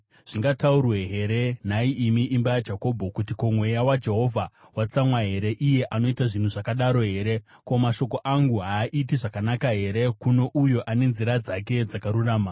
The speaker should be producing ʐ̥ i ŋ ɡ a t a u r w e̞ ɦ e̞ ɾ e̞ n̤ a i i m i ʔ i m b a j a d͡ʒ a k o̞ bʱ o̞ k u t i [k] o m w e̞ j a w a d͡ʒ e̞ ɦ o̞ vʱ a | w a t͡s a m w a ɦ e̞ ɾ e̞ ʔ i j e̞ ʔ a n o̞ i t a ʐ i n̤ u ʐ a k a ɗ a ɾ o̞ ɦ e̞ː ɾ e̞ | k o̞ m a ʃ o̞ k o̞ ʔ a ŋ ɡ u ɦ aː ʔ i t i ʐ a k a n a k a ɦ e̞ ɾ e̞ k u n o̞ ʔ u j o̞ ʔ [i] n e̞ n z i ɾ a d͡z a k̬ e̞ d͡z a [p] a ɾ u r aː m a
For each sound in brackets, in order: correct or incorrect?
correct, incorrect: a, incorrect: k

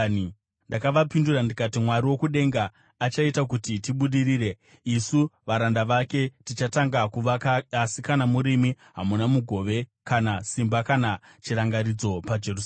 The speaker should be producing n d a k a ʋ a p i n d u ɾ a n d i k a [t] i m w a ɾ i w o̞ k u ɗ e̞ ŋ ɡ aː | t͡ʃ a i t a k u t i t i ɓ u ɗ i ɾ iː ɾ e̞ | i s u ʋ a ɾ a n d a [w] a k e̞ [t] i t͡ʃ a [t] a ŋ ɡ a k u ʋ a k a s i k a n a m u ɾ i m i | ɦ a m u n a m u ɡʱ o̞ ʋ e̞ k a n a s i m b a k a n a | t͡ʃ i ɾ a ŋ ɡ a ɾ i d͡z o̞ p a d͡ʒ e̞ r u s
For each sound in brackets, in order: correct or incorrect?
correct, incorrect: ʋ, correct, correct

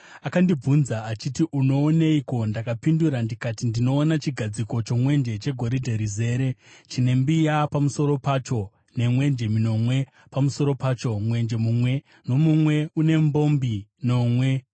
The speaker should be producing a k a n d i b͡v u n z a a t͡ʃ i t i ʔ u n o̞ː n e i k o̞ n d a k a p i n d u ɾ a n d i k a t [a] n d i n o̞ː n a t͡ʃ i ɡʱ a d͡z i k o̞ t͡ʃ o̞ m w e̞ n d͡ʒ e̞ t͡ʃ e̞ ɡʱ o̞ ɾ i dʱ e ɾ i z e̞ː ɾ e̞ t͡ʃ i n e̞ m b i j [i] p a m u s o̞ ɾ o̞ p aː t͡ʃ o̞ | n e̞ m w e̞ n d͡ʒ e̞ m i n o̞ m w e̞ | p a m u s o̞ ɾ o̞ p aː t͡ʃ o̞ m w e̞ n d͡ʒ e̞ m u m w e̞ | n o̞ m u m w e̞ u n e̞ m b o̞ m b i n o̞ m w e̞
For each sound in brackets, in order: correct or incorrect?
incorrect: i, incorrect: a

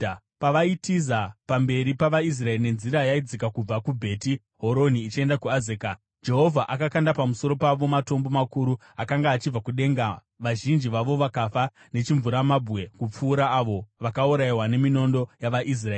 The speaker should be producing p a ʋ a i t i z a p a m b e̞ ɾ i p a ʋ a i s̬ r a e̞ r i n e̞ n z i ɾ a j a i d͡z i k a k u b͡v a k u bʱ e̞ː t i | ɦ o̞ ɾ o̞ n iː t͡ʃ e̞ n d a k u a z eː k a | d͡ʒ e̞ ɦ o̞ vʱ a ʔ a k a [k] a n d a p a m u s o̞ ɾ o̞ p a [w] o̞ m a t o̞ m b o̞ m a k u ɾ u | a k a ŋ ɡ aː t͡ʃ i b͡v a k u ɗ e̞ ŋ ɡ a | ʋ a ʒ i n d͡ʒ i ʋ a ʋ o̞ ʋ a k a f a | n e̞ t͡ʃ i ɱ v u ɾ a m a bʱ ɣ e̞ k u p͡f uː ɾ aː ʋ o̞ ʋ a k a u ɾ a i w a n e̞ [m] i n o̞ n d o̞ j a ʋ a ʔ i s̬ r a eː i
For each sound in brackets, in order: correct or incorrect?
correct, incorrect: ʋ, correct

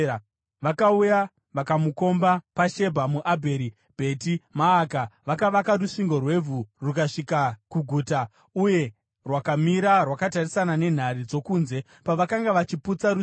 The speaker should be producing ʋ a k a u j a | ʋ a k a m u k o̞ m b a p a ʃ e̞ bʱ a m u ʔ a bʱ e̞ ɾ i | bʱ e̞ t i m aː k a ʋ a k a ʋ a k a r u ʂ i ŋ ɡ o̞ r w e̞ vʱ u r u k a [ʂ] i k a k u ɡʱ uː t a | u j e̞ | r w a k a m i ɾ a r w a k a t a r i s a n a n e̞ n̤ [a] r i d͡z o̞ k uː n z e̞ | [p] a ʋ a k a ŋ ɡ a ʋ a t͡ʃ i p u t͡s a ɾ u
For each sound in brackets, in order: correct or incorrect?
correct, correct, correct

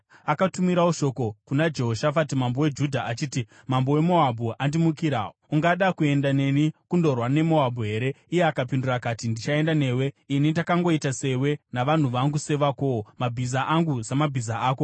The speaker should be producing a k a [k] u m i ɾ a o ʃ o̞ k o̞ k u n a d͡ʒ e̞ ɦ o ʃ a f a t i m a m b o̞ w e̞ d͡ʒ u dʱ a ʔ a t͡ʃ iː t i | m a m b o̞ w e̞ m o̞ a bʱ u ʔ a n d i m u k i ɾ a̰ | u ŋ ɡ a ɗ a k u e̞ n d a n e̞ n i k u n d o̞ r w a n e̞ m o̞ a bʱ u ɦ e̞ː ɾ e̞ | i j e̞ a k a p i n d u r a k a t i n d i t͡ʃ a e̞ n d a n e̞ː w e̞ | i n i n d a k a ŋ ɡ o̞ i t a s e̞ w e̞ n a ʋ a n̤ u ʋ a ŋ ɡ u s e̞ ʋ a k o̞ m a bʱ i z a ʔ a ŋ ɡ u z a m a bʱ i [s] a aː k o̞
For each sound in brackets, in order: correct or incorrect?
incorrect: t, incorrect: z

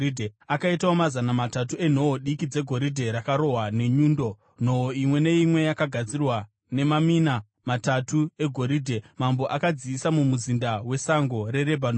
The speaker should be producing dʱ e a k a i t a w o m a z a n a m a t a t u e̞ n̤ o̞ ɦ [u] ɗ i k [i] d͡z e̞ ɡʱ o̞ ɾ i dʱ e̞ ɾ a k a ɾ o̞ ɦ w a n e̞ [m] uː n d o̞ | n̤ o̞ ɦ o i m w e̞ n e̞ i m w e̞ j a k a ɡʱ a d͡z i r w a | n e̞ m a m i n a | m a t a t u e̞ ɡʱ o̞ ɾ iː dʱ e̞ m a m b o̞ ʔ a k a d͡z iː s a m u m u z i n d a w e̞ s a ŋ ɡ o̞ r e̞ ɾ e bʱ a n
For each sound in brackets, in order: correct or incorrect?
incorrect: o, correct, incorrect: ɲ

